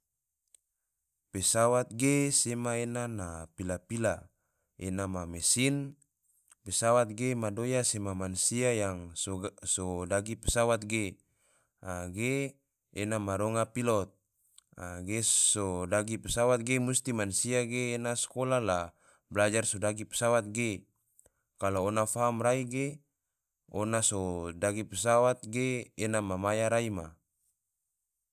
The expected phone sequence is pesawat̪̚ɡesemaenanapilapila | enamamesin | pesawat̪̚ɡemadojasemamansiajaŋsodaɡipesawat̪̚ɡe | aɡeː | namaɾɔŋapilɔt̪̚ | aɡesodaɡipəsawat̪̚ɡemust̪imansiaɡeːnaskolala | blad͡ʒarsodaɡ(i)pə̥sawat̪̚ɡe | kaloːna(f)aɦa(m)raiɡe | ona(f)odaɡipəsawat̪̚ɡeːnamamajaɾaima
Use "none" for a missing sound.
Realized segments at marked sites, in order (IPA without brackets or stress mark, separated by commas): i, f, m, s